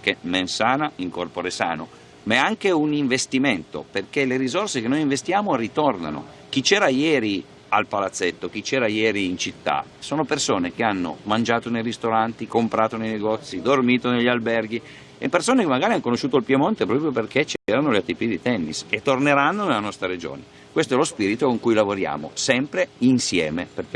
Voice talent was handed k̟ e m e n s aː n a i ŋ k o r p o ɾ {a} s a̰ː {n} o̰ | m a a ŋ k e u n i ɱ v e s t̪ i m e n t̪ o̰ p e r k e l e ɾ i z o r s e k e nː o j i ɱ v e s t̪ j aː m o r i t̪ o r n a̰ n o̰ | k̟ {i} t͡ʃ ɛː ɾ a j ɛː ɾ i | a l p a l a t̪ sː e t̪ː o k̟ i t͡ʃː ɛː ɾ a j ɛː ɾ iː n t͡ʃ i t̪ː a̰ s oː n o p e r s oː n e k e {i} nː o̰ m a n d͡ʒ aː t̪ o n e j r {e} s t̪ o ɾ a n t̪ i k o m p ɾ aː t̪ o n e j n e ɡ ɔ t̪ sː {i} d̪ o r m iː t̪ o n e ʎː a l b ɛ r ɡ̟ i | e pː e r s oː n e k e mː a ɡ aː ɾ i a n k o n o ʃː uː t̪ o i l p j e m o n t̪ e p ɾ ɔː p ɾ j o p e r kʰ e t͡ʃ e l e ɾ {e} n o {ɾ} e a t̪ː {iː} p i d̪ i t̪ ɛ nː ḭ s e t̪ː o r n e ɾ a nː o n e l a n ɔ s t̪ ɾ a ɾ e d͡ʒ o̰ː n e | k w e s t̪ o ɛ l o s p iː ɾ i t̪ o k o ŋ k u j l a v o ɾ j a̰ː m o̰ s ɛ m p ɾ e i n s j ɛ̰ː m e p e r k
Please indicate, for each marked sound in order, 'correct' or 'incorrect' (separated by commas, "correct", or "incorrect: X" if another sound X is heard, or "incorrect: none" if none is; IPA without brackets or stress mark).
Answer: incorrect: e, correct, correct, incorrect: a, incorrect: i, correct, incorrect: a, incorrect: l, incorrect: i